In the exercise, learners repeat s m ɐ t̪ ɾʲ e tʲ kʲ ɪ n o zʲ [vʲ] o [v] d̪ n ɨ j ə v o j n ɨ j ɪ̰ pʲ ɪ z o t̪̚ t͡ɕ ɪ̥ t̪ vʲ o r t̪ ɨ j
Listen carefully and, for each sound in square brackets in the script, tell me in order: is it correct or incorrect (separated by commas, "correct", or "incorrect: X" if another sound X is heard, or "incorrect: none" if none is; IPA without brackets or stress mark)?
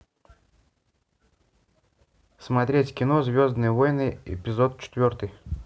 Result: correct, incorrect: z